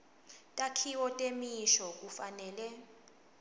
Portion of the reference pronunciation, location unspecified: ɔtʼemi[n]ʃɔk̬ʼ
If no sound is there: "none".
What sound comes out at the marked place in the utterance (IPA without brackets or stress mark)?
none